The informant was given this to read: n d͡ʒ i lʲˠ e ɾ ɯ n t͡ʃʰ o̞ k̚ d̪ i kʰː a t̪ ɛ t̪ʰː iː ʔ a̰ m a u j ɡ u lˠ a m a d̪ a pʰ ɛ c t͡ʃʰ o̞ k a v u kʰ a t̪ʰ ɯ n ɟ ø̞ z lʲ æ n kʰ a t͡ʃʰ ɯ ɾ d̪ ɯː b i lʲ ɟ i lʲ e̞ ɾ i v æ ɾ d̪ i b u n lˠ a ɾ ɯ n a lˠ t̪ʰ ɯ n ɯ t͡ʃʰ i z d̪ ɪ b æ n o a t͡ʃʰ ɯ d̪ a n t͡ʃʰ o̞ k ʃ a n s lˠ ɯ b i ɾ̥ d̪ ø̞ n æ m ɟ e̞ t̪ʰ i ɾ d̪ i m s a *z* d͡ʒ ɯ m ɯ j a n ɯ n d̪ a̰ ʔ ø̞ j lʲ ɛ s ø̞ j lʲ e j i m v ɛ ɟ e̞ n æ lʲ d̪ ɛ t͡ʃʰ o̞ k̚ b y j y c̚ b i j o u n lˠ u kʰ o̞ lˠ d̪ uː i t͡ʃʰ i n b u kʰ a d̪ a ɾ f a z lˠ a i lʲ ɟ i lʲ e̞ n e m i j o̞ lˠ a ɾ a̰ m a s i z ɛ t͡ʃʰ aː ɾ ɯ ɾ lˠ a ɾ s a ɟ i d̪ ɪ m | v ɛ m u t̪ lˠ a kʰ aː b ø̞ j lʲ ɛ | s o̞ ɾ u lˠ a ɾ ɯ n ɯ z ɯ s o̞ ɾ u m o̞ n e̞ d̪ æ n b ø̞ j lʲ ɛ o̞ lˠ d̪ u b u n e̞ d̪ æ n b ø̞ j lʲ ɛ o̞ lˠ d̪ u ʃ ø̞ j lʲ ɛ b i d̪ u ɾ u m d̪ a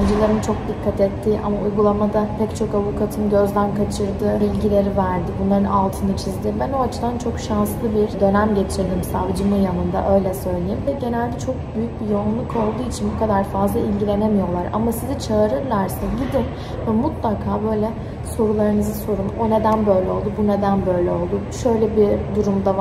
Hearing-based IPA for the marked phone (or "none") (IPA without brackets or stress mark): v